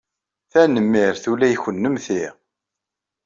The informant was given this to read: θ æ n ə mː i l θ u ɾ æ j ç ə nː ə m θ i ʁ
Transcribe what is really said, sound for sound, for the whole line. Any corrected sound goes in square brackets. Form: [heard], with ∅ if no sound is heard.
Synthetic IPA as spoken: θ æ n ə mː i [ɾ] θ u [l] æ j ç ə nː ə m θ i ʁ

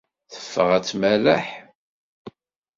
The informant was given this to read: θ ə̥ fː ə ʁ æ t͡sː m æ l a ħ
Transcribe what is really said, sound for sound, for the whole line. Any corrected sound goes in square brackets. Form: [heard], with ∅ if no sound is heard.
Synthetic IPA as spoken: θ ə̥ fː ə ʁ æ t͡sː m æ l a ħ

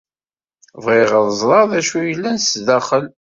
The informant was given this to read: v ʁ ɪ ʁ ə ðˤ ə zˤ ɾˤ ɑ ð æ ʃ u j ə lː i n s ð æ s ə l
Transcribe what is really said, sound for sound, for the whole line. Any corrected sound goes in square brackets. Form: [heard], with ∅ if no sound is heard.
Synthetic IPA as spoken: v ʁ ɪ ʁ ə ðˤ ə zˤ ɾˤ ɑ ð æ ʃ u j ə lː [æ] n s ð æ [χ] ə l

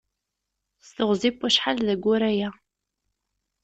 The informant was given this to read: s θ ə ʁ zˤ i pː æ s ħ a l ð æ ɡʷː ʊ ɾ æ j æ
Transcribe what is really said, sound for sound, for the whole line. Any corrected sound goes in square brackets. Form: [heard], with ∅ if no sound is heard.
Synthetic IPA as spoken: s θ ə ʁ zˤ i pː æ [ʃ] ħ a l ð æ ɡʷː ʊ ɾ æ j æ

